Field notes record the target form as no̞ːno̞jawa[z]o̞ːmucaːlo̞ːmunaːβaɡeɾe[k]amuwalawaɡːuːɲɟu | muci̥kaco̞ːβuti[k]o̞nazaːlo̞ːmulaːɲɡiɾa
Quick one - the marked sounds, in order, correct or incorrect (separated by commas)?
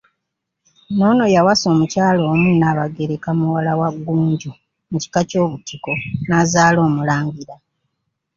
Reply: incorrect, correct, correct